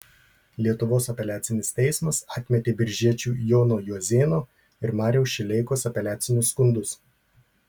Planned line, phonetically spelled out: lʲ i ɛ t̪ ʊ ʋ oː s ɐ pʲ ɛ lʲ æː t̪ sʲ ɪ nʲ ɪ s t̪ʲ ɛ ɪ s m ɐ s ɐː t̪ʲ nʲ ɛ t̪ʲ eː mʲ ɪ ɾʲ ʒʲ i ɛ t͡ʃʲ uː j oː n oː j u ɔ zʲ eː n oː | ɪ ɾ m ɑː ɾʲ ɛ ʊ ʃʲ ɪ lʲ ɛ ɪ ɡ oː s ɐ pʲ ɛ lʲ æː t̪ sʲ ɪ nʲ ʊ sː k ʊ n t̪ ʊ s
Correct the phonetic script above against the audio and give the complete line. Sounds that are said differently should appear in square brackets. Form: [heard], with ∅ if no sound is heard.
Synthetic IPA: lʲ i ɛ t̪ ʊ ʋ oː s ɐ pʲ ɛ lʲ æː t̪ sʲ ɪ nʲ ɪ s t̪ʲ ɛ ɪ s m ɐ s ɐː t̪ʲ [mʲ] ɛ t̪ʲ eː [bʲ] ɪ ɾʲ ʒʲ i ɛ t͡ʃʲ uː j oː n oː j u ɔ zʲ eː n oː | ɪ ɾ m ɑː ɾʲ ɛ ʊ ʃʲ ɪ lʲ ɛ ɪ [k] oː s ɐ pʲ ɛ lʲ æː t̪ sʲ ɪ nʲ ʊ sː k ʊ n [d̪] ʊ s